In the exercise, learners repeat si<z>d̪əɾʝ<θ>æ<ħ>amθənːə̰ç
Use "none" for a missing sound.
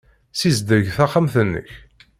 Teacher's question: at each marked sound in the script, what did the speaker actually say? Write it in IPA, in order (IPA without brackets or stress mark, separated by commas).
z, θ, χ